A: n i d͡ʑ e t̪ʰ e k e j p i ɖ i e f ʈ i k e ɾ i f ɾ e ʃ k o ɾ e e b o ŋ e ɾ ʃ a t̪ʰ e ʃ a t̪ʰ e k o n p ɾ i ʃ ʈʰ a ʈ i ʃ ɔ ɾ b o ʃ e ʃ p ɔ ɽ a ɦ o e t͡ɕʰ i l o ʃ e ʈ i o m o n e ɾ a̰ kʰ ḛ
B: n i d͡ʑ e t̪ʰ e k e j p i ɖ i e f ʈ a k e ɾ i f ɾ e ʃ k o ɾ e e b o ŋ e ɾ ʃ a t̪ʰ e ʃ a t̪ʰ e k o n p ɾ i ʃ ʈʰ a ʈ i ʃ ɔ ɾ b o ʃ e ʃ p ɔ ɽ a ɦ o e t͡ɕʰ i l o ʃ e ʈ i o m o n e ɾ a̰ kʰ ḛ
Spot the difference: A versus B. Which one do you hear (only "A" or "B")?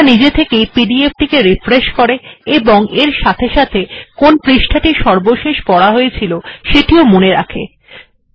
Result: A